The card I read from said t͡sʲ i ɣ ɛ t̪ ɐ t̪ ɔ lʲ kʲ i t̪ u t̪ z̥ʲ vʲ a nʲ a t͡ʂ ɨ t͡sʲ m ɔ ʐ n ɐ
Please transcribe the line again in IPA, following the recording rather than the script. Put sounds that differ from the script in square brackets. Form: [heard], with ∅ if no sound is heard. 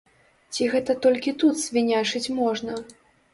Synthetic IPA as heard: t͡sʲ i ɣ ɛ t̪ ɐ t̪ ɔ lʲ kʲ i t̪ u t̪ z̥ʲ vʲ [i] nʲ a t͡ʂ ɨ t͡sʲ m ɔ ʐ n ɐ